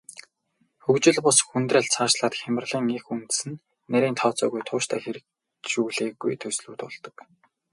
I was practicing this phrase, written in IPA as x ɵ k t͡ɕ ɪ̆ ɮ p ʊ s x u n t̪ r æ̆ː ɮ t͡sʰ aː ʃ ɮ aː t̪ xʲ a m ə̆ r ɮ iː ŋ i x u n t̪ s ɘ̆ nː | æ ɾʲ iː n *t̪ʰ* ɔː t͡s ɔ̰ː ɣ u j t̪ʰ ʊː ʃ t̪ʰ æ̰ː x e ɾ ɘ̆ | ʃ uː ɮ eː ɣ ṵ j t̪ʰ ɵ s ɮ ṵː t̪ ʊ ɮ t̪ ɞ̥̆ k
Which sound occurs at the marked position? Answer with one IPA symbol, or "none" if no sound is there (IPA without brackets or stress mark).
t̪ʰ